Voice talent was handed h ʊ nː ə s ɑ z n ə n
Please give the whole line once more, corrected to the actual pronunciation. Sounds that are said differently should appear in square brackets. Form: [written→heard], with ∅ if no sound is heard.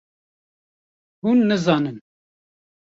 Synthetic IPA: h [ʊ→u] nː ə [s→z] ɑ [z→∅] n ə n